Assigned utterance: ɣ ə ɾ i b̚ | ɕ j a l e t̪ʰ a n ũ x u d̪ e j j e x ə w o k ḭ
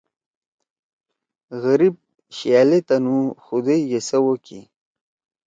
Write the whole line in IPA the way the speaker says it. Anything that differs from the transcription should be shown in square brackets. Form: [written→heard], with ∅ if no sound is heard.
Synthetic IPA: ɣ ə ɾ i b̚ | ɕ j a l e [t̪ʰ→t̪] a n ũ x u d̪ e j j e [x→s] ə w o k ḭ